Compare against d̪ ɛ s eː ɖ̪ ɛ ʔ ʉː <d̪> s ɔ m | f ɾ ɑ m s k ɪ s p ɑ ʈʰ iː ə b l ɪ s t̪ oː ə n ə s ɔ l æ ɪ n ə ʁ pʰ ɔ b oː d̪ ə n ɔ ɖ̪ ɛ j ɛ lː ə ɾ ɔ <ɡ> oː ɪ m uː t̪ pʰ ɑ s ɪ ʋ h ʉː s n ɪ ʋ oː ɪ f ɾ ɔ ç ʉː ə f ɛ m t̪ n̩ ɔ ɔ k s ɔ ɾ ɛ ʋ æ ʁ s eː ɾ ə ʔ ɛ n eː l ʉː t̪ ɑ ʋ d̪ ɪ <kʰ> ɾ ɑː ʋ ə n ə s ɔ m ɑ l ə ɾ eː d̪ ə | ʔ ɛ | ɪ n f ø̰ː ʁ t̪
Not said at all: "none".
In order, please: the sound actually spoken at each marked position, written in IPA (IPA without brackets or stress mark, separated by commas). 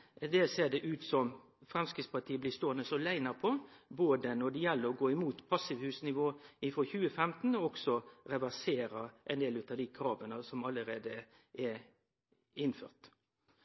t̪, ɡ, kʰ